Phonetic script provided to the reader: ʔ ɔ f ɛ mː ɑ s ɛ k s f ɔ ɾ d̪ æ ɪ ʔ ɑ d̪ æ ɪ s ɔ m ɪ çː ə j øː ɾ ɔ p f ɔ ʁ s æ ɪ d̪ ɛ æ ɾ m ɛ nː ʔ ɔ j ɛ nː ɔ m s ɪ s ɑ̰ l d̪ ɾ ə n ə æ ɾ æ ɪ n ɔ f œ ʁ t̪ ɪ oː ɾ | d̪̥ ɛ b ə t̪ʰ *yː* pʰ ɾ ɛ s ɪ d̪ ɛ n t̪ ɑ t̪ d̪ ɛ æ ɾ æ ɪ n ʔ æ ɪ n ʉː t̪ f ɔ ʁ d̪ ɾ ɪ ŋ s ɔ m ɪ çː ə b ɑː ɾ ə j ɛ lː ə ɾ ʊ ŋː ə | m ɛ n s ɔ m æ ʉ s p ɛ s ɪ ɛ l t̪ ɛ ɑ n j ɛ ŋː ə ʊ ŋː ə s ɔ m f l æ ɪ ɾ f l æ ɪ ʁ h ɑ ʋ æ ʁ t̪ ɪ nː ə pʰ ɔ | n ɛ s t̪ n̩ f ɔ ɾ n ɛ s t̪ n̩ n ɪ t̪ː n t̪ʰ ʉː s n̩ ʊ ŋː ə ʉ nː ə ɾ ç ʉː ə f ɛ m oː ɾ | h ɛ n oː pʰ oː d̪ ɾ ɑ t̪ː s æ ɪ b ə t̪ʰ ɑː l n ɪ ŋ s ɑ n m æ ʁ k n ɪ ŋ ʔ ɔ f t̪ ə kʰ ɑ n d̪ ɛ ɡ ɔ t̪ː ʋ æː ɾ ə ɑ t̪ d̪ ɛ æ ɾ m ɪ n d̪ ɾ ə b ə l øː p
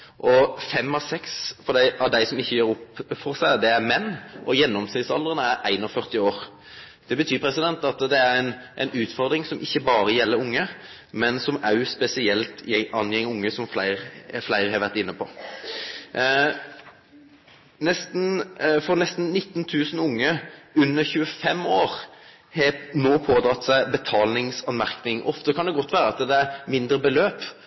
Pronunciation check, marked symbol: correct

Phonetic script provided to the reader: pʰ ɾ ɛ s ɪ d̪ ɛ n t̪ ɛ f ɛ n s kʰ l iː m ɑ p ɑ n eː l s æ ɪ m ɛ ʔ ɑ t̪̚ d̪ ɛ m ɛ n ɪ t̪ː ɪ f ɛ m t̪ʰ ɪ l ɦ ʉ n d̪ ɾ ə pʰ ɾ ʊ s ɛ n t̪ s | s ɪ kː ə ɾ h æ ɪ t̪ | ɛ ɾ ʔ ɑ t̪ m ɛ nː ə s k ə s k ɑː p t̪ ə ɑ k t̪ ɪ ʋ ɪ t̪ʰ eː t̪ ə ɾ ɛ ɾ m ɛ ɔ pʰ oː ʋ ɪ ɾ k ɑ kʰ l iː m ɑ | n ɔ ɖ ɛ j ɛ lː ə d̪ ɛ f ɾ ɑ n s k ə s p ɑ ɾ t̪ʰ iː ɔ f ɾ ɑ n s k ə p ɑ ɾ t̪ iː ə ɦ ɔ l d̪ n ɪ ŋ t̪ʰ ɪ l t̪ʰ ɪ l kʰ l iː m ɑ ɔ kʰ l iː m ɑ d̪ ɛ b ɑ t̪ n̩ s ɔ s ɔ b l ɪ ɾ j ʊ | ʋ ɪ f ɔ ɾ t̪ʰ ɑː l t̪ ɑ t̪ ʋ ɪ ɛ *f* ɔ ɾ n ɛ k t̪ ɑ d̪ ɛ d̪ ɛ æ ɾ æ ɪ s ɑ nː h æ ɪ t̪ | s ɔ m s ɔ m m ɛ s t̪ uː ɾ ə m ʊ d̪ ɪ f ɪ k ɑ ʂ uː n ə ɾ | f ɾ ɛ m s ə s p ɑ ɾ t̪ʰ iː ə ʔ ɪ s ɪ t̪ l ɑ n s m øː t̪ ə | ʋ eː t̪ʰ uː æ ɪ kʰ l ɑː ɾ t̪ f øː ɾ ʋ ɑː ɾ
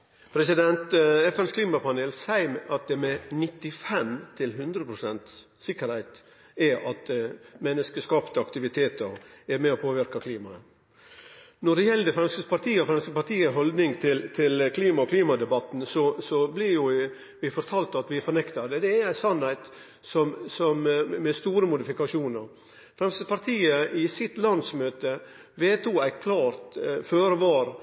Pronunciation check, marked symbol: correct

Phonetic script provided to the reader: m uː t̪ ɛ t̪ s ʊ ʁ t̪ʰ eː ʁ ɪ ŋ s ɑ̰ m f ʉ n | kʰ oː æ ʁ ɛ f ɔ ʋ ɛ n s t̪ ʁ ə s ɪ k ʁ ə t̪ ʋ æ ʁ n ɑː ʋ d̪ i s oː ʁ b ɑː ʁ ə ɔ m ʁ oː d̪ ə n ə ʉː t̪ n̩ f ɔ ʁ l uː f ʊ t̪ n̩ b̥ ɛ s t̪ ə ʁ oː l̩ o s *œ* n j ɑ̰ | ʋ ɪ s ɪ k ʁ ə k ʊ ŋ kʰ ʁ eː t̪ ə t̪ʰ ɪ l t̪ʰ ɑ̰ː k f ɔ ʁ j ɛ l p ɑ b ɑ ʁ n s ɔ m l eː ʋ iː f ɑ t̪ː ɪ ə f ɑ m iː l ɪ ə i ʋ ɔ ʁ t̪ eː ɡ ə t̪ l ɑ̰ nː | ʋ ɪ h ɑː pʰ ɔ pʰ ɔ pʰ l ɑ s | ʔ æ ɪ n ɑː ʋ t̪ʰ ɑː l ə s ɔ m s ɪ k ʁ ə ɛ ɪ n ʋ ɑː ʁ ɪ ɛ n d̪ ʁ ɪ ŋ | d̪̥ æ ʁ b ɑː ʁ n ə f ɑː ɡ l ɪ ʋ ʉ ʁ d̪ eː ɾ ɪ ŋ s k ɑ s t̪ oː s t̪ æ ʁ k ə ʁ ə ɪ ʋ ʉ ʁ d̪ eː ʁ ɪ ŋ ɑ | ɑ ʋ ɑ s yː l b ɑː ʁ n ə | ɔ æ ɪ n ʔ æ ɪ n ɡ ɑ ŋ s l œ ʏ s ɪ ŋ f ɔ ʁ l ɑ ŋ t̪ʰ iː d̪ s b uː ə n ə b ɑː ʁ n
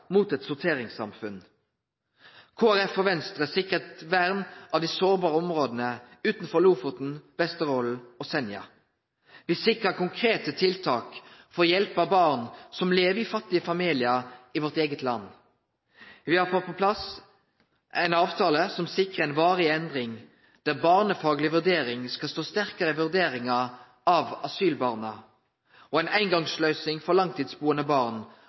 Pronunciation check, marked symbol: incorrect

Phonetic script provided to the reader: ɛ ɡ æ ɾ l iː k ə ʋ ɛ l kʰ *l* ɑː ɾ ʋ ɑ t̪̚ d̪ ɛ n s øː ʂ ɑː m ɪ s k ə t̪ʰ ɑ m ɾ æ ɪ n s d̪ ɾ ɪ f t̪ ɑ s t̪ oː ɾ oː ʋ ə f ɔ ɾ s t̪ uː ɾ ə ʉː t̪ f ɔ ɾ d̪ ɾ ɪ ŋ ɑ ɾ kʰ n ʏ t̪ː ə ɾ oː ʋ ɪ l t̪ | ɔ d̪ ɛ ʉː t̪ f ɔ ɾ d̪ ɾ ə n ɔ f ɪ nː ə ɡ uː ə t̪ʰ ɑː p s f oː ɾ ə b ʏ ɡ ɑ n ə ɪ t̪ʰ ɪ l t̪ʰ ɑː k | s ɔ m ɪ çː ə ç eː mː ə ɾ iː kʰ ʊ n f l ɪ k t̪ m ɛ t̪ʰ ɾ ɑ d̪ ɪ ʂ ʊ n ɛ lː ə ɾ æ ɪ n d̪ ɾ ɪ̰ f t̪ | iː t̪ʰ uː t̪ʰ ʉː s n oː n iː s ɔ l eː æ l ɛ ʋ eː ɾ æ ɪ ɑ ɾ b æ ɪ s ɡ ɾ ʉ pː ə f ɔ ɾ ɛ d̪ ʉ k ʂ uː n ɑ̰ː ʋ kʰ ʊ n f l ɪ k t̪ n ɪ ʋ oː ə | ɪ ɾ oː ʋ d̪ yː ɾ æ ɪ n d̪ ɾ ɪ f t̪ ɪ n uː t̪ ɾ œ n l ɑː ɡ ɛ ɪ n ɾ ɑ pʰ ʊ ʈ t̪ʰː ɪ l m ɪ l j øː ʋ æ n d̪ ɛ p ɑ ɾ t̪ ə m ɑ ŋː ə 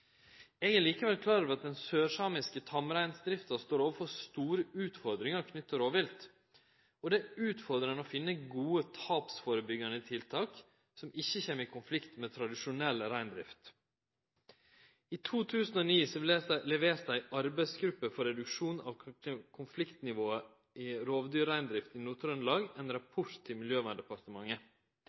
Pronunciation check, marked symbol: correct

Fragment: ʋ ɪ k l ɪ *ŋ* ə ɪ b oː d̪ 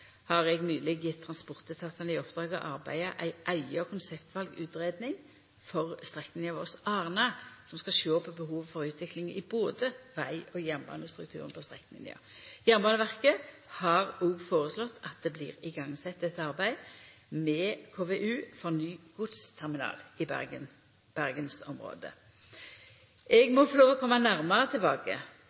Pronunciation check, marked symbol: correct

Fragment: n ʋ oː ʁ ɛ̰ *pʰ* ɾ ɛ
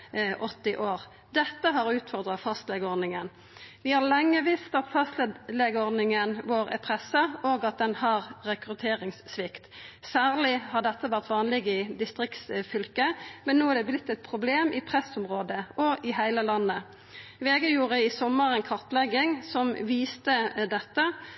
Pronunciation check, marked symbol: correct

